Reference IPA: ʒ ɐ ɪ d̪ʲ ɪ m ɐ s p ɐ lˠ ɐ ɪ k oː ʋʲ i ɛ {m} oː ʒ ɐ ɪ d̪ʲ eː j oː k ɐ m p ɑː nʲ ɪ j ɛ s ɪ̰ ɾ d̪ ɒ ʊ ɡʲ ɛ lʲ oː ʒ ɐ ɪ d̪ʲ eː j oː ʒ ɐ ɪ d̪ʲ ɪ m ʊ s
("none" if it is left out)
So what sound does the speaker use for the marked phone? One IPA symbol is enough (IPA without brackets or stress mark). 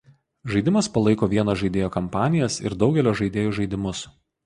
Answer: n